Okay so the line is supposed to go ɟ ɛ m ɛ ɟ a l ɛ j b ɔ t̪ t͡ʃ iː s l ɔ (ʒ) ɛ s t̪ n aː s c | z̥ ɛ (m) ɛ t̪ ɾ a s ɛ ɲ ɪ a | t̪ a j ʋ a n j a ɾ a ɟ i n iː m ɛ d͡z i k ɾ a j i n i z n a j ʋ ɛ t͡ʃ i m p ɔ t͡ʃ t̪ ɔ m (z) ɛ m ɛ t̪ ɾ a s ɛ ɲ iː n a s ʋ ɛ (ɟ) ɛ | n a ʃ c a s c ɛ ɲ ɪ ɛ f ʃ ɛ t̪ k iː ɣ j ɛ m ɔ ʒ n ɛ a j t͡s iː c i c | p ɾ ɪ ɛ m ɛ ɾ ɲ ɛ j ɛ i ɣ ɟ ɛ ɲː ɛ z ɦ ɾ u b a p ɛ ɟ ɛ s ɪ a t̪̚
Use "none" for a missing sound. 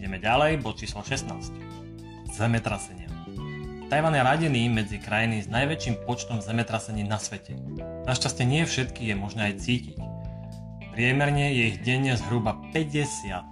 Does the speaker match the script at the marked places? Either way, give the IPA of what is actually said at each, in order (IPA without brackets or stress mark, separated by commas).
ʃ, m, z, c